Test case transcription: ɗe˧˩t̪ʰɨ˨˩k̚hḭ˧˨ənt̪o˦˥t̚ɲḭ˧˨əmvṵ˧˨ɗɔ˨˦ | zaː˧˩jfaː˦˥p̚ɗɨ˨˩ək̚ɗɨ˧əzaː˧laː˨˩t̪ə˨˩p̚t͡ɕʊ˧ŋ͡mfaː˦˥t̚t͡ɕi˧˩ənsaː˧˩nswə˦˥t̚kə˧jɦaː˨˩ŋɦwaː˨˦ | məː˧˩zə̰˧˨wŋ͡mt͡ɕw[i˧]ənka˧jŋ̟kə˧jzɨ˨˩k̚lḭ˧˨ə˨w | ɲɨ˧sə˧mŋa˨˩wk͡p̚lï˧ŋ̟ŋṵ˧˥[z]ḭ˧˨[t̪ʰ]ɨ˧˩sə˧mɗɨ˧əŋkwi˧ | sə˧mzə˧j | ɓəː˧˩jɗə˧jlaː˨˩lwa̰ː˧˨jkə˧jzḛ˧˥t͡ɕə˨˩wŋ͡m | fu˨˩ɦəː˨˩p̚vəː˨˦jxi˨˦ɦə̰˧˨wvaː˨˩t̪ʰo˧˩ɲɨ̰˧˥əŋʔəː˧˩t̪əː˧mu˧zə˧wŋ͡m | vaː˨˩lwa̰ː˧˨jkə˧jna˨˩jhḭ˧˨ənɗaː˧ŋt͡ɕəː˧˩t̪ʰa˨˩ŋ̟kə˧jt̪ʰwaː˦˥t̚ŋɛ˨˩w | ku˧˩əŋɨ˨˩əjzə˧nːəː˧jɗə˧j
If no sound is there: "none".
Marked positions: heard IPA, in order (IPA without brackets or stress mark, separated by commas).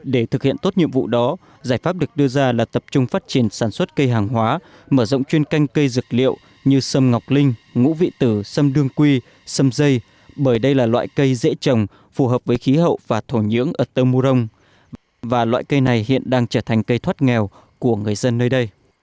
i˧, v, t̪